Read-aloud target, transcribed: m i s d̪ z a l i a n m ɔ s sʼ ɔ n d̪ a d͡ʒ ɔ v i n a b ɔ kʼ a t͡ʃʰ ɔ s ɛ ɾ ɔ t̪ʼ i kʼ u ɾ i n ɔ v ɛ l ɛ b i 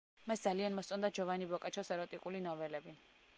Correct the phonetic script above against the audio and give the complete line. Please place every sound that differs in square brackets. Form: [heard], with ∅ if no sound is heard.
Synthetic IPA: m [a] s d̪ z a l i a n m ɔ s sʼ ɔ n d̪ a d͡ʒ ɔ v [a] n [i] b ɔ kʼ a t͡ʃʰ ɔ s ɛ ɾ ɔ t̪ʼ i kʼ u [l] i n ɔ v ɛ l ɛ b i